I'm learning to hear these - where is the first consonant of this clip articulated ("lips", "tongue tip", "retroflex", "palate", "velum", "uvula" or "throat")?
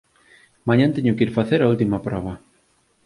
lips